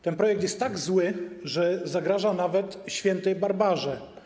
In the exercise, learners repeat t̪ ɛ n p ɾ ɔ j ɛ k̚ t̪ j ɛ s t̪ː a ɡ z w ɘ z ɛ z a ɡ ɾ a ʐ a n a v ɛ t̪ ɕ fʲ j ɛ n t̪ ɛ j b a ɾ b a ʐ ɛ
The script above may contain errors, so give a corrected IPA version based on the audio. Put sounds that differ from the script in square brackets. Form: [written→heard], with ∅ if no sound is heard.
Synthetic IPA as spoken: t̪ ɛ n p ɾ ɔ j ɛ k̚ t̪ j ɛ s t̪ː a ɡ z w ɘ [z→ʐ] ɛ z a ɡ ɾ a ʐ a n a v ɛ t̪ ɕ fʲ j ɛ n t̪ ɛ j b a ɾ b a ʐ ɛ